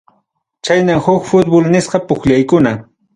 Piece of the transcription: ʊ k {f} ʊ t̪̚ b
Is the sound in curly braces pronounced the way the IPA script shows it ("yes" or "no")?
yes